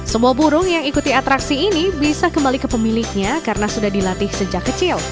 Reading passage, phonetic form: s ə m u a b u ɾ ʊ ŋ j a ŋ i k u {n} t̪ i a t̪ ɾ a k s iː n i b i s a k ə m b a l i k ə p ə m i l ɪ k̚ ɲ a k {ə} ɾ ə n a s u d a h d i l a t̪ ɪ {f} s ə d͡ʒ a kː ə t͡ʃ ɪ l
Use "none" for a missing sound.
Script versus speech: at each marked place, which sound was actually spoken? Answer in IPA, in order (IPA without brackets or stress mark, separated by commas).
none, a, h